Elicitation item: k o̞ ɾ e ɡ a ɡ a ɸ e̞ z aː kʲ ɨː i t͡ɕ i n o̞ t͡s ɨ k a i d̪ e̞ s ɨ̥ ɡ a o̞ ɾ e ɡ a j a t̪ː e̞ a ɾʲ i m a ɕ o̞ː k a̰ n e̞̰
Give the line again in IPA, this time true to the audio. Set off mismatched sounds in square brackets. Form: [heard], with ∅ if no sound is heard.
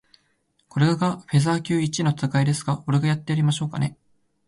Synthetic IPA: k o̞ ɾ e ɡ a ɡ a ɸ e̞ z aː kʲ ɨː i t͡ɕ i n o̞ t͡s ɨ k a i d̪ e̞ s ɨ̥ ɡ a o̞ ɾ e ɡ a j a t̪ː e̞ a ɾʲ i m a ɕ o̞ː k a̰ n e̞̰

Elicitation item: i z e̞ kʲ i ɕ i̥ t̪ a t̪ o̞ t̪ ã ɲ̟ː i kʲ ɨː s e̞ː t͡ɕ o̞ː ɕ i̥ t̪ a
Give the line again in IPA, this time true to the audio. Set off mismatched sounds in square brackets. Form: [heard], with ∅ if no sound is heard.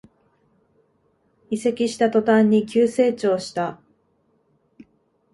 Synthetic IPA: i [s] e̞ kʲ i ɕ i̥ t̪ a t̪ o̞ t̪ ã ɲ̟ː i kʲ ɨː s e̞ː t͡ɕ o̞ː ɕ i̥ t̪ a

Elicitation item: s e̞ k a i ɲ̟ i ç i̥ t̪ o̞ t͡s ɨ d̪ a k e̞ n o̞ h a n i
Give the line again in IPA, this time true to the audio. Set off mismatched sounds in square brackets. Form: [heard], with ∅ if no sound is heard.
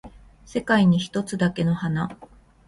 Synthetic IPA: s e̞ k a i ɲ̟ i ç i̥ t̪ o̞ t͡s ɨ d̪ a k e̞ n o̞ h a n [a]

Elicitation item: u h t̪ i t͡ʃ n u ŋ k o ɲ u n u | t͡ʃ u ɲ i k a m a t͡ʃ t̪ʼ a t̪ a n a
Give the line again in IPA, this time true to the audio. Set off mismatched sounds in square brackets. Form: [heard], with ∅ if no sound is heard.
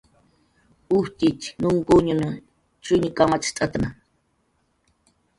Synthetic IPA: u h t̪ i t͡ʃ n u ŋ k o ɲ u n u | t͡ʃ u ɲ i k a m a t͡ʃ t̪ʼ a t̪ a n a

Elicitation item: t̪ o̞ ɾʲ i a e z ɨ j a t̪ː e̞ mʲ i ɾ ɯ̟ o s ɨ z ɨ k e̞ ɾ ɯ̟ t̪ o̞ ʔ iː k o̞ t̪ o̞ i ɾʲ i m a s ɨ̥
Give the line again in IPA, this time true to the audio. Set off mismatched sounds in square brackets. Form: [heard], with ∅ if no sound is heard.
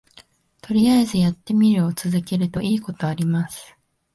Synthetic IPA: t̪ o̞ ɾʲ i a e z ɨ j a t̪ː e̞ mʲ i ɾ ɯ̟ o [t͡s] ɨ z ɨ k e̞ ɾ ɯ̟ t̪ o̞ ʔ iː k o̞ t̪ o̞ [a] ɾʲ i m a s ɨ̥

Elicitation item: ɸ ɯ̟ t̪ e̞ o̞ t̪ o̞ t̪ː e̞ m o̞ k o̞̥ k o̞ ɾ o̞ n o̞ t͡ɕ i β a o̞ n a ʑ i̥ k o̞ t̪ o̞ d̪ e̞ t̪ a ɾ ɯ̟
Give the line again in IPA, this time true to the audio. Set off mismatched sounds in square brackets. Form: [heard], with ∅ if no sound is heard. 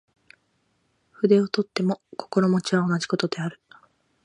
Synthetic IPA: ɸ ɯ̟ [d̪] e̞ o̞ t̪ o̞ t̪ː e̞ m o̞ k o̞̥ k o̞ ɾ o̞ [m] o̞ t͡ɕ i β a o̞ n a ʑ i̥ k o̞ t̪ o̞ d̪ e̞ [∅] a ɾ ɯ̟

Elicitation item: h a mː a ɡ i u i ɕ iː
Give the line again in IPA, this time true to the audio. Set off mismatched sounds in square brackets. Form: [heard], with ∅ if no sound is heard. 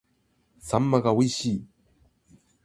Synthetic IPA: [s] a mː a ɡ [a] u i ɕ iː

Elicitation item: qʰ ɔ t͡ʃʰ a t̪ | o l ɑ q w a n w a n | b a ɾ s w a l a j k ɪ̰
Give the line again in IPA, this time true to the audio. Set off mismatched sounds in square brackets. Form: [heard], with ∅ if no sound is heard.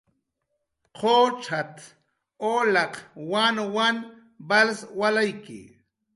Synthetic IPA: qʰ [o] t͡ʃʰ a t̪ | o l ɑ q w a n w a n | b a [l] s w a l a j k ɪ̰

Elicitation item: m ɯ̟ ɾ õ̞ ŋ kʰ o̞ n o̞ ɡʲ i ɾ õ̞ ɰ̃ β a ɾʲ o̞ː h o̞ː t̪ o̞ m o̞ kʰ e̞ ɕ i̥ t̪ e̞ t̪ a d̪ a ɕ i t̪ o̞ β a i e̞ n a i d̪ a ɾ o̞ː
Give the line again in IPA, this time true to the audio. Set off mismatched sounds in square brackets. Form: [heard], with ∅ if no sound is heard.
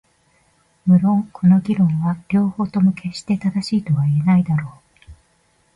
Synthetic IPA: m ɯ̟ ɾ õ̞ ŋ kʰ o̞ n o̞ ɡʲ i ɾ õ̞ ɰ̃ β a ɾʲ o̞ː h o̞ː t̪ o̞ m o̞ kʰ e̞ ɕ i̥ t̪ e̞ t̪ a d̪ a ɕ [iː] t̪ o̞ β a i e̞ n a i d̪ a ɾ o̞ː

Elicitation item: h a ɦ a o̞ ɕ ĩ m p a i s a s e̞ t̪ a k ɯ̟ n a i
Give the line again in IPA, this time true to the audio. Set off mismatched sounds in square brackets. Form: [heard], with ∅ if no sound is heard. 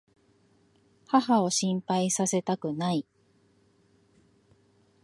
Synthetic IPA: h a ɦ a o̞ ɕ ĩ m p a i s a s e̞ t̪ a k ɯ̟ n a i

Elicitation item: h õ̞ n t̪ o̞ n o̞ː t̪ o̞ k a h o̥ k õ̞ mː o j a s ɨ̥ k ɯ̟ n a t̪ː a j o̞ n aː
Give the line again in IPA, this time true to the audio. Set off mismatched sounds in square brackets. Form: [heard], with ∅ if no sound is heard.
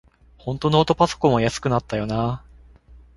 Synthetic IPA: h õ̞ n t̪ o̞ n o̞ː t̪ o̞ [p] a [s] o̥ k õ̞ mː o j a s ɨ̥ k ɯ̟ n a t̪ː a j o̞ n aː

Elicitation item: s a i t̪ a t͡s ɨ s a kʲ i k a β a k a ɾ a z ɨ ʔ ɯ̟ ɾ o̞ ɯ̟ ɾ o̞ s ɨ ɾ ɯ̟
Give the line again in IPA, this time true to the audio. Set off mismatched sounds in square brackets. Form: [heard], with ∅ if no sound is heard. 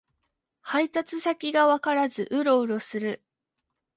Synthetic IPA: [h] a i t̪ a t͡s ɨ s a kʲ i [ɡ] a β a k a ɾ a z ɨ ʔ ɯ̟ ɾ o̞ ɯ̟ ɾ o̞ s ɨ ɾ ɯ̟

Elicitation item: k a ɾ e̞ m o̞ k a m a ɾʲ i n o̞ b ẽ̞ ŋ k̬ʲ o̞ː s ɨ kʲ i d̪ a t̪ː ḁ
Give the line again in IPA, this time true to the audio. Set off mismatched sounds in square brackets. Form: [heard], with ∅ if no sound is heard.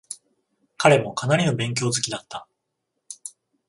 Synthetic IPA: k a ɾ e̞ m o̞ k a [n] a ɾʲ i n o̞ b ẽ̞ ŋ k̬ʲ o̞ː [z] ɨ kʲ i d̪ a t̪ː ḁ

